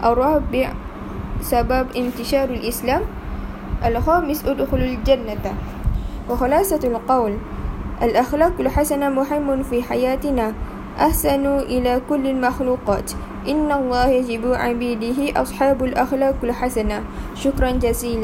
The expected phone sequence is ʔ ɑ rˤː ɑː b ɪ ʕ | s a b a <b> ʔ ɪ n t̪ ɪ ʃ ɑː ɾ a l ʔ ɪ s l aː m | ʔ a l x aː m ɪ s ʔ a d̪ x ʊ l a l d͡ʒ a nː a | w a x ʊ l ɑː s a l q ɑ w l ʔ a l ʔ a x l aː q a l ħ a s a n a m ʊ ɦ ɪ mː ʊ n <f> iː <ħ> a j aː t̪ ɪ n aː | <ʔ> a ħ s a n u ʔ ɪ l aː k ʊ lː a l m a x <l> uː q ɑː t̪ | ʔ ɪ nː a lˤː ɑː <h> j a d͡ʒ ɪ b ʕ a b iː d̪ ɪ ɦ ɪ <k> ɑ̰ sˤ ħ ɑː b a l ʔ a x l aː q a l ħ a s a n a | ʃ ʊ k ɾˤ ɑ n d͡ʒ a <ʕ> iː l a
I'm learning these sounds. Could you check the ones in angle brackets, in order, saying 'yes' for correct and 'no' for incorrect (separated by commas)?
yes, yes, yes, yes, yes, yes, no, no